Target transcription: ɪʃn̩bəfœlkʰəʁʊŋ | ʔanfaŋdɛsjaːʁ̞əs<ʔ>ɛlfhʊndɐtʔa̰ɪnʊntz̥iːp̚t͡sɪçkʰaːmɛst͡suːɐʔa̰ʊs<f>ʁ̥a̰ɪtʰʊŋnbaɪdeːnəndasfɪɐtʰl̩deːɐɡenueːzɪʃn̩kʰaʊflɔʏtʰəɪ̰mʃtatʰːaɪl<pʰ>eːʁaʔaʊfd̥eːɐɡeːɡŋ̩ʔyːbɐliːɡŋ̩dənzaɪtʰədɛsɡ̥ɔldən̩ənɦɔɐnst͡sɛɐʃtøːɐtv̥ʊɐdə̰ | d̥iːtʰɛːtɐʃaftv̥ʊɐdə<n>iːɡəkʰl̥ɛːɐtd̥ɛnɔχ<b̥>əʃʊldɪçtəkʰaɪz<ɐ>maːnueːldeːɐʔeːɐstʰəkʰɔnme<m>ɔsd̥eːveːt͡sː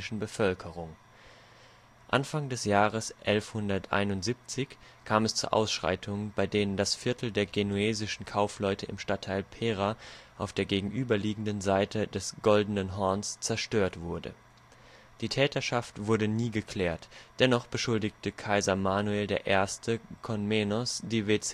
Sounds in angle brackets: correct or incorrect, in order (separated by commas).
correct, incorrect, correct, correct, correct, correct, incorrect